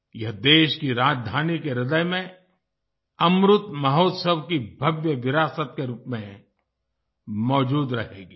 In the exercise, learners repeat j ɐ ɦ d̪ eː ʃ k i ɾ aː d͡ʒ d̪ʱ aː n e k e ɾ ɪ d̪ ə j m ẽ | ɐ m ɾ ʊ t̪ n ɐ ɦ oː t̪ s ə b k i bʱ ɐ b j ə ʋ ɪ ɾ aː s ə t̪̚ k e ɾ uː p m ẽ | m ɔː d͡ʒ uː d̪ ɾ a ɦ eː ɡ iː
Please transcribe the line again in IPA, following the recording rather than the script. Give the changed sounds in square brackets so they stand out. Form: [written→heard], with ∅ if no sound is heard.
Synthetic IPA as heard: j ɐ ɦ d̪ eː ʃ k i ɾ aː d͡ʒ d̪ʱ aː n [e→i] k e ɾ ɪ d̪ ə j m ẽ | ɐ m ɾ ʊ t̪ [n→m] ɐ ɦ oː t̪ s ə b k i bʱ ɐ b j ə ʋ ɪ ɾ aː s ə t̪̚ k e ɾ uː p m ẽ | m ɔː d͡ʒ uː d̪ ɾ [a→ɐ] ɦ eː ɡ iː